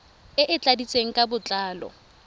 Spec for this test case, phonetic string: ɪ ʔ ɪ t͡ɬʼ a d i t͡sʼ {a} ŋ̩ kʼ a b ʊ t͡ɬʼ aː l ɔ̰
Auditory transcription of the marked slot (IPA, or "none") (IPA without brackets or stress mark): e